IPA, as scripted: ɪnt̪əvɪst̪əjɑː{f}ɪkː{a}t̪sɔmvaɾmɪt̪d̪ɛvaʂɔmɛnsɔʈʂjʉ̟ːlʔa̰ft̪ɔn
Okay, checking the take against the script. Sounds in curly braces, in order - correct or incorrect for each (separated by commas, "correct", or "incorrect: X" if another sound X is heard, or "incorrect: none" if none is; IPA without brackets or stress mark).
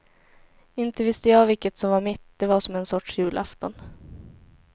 incorrect: v, incorrect: ə